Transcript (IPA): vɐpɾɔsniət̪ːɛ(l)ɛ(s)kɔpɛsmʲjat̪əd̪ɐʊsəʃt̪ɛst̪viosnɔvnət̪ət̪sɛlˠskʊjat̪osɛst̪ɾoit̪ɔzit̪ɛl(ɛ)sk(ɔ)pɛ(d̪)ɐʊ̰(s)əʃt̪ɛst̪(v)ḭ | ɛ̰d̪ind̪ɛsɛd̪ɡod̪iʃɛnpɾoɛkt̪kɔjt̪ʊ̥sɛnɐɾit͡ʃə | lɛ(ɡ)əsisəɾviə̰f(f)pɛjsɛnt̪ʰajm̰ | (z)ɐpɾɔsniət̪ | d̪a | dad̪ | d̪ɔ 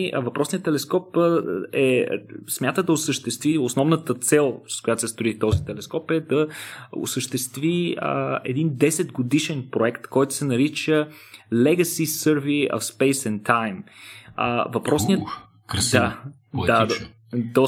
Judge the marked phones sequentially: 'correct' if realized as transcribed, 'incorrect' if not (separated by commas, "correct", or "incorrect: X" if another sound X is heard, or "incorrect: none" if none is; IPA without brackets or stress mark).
correct, correct, correct, correct, correct, correct, correct, correct, incorrect: s, incorrect: v